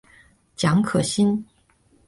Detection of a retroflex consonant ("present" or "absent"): absent